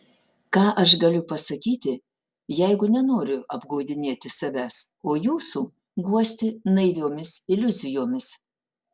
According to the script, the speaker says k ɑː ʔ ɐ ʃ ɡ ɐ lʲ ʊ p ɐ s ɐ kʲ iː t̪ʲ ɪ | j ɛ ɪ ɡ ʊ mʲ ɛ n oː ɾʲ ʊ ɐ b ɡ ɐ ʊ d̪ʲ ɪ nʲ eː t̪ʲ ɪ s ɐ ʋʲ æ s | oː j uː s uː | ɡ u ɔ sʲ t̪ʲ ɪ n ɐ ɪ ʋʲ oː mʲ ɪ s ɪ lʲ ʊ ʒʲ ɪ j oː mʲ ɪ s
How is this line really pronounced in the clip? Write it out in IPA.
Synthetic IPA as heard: k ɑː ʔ ɐ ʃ ɡ ɐ lʲ ʊ p ɐ s ɐ kʲ iː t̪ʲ ɪ | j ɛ ɪ ɡ ʊ nʲ ɛ n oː ɾʲ ʊ ɐ b ɡ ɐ ʊ d̪ʲ ɪ nʲ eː t̪ʲ ɪ s ɐ ʋʲ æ s | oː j uː s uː | ɡ u ɔ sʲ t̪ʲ ɪ n ɐ ɪ ʋʲ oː mʲ ɪ s ɪ lʲ ʊ zʲ ɪ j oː mʲ ɪ s